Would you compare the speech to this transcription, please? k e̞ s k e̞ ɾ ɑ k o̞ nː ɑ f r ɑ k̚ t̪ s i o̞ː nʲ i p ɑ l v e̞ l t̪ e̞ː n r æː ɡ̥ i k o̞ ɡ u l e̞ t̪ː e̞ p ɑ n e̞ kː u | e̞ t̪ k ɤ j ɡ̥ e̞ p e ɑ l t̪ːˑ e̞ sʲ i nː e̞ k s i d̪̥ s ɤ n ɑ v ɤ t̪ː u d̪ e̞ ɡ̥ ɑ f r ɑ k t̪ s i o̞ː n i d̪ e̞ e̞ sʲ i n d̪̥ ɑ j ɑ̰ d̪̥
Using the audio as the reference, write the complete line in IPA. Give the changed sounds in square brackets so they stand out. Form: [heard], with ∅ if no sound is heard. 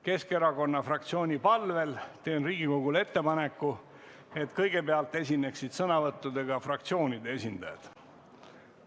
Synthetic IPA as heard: k e̞ s k e̞ ɾ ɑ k o̞ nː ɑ f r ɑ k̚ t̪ s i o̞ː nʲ i p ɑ l v e̞ l t̪ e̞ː n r [iː] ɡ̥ i k o̞ ɡ u l e̞ t̪ː e̞ p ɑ n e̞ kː u | e̞ t̪ k ɤ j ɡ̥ e̞ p e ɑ l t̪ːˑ e̞ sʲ i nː e̞ k s i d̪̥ s ɤ n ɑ v ɤ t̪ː u d̪ e̞ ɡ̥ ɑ f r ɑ k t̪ s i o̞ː n i d̪ e̞ e̞ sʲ i n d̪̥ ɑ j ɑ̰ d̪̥